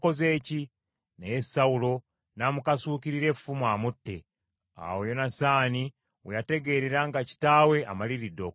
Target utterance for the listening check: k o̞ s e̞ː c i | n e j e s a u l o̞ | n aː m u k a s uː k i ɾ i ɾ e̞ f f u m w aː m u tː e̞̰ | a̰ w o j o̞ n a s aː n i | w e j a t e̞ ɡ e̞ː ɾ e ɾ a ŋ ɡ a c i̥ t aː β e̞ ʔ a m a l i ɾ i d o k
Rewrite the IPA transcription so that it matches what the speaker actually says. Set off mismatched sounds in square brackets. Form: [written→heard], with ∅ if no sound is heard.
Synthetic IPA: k o̞ [s→z] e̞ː c i | n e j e s a u l o̞ | n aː m u k a s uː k i ɾ i ɾ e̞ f f u m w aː m u tː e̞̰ | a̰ w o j o̞ n a s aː n i | w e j a t e̞ ɡ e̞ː ɾ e ɾ a ŋ ɡ a c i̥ t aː [β→w] e̞ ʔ a m a l i ɾ i d o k